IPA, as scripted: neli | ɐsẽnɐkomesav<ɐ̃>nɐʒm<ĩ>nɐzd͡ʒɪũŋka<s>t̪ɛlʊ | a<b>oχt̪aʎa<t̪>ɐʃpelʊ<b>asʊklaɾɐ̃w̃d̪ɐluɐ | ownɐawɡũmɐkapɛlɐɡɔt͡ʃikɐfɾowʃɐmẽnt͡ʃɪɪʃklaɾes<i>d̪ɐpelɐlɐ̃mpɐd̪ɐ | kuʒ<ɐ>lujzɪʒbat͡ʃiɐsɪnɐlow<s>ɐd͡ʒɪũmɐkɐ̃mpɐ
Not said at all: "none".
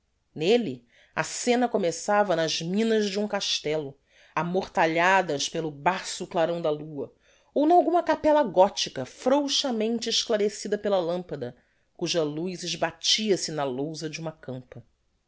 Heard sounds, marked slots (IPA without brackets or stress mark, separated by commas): ɐ, ĩ, ʃ, m, d̪, b, i, ɐ, z